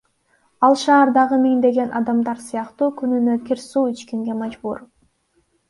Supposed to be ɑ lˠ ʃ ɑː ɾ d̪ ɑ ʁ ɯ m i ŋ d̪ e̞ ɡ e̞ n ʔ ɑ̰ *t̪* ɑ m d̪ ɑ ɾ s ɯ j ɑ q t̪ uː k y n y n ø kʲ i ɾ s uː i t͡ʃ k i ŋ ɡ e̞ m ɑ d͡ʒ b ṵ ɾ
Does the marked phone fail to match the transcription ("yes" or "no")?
yes